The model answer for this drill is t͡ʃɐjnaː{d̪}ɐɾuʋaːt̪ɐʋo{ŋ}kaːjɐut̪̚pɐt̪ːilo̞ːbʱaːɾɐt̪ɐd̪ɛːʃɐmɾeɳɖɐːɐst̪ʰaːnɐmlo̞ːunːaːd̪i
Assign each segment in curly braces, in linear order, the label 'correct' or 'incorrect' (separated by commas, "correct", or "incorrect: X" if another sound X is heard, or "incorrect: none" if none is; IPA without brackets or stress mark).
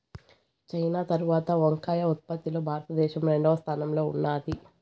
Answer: incorrect: t̪, correct